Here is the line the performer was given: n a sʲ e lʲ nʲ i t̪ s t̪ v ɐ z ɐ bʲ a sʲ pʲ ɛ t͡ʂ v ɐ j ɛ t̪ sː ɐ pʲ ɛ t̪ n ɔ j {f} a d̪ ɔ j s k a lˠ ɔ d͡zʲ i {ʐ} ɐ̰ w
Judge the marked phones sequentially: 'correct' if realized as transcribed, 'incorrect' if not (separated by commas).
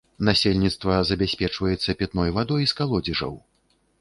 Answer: incorrect, correct